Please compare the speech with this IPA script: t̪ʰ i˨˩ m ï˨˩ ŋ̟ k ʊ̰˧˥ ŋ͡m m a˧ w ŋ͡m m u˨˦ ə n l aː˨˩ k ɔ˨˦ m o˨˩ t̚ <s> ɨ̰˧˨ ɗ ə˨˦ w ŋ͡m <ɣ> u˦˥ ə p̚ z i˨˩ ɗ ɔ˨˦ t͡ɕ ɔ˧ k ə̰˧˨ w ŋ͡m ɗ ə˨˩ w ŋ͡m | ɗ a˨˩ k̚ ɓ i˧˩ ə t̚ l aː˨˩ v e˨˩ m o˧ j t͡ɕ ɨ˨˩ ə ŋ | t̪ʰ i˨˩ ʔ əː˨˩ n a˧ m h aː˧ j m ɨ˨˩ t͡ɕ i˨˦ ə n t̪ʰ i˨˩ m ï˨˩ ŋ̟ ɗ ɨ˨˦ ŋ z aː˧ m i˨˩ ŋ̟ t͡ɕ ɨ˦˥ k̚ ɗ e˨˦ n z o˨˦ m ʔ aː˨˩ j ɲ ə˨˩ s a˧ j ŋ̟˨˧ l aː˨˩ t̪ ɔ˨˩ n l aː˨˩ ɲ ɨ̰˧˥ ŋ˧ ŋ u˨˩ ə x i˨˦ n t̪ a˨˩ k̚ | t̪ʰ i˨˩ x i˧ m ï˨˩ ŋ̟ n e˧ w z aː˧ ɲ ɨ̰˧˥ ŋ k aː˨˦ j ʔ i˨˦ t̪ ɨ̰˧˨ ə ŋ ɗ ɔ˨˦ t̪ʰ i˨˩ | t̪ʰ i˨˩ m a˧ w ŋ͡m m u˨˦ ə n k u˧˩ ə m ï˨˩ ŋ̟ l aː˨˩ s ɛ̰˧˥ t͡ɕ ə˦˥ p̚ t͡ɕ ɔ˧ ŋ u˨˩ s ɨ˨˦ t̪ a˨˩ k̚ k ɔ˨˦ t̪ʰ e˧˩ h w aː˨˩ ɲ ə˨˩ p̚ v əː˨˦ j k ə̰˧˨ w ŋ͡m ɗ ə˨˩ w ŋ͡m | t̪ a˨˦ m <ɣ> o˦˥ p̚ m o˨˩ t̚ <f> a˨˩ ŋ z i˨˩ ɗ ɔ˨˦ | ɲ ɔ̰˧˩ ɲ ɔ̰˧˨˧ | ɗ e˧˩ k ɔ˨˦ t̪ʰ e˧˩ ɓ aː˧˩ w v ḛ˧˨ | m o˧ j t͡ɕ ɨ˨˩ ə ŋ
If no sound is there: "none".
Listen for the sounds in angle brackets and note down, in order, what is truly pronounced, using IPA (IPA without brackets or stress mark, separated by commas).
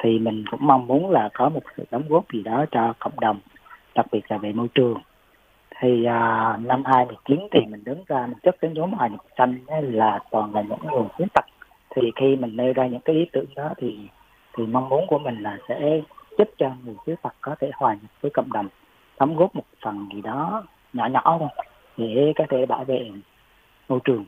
s, ɣ, ɣ, f